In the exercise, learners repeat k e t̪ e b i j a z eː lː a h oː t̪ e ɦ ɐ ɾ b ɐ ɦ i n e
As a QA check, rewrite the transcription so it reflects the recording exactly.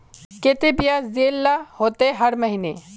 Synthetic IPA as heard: k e t̪ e b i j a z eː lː a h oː t̪ e ɦ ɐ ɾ m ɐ ɦ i n e